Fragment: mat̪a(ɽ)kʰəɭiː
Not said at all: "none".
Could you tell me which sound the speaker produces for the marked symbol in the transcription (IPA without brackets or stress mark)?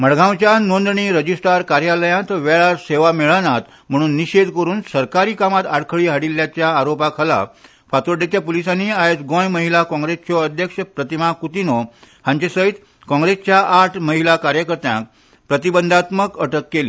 ɽ